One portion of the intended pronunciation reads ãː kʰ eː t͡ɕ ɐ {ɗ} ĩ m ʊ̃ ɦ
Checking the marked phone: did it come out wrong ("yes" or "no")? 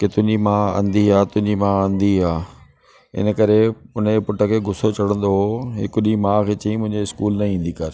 yes